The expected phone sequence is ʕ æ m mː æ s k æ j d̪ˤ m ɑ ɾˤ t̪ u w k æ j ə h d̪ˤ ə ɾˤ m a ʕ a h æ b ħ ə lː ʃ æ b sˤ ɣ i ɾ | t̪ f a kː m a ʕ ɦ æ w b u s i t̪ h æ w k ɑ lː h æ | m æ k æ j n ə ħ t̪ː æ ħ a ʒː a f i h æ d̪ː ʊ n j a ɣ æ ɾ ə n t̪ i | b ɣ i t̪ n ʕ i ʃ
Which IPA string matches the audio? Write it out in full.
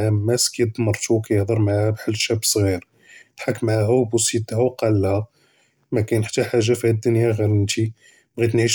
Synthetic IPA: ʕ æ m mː æ s k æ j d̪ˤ m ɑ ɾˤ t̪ u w k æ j ə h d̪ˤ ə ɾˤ m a ʕ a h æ b ħ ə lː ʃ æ b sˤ ɣ i ɾ | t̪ ħ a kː m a ʕ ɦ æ w b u s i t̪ h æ w q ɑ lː h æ | m æ k æ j n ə ħ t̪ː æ ħ a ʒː a f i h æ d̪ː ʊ n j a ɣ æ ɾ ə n t̪ i | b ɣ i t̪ n ʕ i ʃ